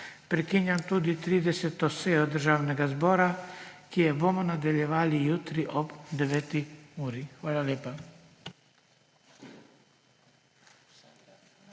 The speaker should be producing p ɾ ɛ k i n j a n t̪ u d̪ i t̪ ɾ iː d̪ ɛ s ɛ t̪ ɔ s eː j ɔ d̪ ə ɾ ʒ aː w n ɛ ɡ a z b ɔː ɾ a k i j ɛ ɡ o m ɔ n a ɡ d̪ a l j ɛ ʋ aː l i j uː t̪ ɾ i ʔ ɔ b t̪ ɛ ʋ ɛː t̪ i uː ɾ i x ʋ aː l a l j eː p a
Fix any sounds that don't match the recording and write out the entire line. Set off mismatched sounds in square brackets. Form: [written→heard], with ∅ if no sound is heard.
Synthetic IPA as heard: p ɾ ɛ k i n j a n t̪ u d̪ i t̪ ɾ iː d̪ ɛ s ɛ t̪ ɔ s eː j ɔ d̪ ə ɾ ʒ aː w n ɛ ɡ a z b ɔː ɾ a k i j ɛ [ɡ→b] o m ɔ n a [ɡ→∅] d̪ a l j ɛ ʋ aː l i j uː t̪ ɾ i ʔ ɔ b [t̪→d̪] ɛ ʋ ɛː t̪ i uː ɾ i x ʋ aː l a l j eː p a